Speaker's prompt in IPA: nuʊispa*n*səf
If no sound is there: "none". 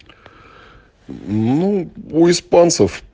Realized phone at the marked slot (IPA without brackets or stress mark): n